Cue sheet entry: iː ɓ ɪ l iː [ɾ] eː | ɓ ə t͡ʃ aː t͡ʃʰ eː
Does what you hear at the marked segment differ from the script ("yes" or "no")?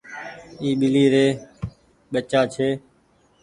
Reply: no